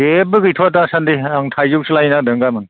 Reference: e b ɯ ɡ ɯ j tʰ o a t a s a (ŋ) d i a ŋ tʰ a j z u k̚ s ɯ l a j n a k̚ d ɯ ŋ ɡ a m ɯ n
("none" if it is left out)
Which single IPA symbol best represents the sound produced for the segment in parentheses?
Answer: n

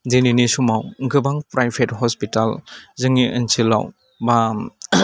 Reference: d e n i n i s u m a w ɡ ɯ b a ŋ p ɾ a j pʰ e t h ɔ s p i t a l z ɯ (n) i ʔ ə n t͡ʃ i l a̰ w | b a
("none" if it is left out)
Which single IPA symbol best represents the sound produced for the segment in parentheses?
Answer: ŋ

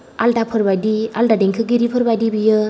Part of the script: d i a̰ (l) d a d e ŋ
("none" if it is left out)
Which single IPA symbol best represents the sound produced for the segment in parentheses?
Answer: l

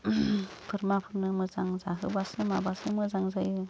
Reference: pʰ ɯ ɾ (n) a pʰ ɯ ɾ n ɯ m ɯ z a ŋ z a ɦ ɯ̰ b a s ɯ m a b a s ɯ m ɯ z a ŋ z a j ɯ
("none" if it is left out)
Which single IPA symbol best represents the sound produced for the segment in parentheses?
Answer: m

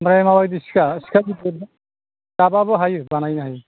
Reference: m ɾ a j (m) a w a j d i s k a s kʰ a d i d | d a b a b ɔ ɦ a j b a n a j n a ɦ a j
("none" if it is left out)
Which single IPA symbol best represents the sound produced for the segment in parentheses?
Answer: m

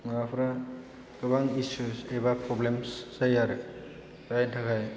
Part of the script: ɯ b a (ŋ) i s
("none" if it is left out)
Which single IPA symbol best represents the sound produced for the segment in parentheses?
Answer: ŋ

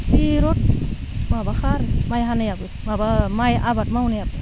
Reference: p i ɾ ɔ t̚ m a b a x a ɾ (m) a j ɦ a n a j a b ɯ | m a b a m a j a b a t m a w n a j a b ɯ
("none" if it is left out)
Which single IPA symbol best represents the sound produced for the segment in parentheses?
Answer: m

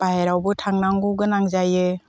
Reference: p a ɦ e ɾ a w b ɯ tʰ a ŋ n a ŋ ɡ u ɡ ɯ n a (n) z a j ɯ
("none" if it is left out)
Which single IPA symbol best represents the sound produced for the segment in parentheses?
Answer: ŋ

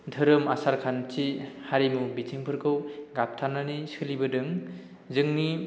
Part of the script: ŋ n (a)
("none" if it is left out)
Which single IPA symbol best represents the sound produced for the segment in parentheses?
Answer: i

